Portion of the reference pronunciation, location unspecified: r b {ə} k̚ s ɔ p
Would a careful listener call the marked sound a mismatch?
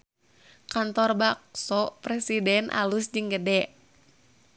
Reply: yes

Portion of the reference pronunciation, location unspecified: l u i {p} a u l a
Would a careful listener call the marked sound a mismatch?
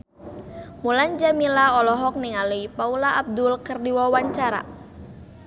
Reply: no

